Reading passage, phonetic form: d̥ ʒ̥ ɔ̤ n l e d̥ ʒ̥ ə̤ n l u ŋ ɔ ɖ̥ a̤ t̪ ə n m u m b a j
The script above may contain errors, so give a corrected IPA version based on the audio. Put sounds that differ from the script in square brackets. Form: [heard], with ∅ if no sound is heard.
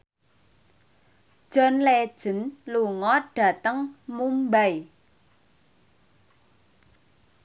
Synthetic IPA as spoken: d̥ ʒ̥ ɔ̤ n l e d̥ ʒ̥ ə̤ n l u ŋ ɔ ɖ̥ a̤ t̪ ə [ŋ] m u m b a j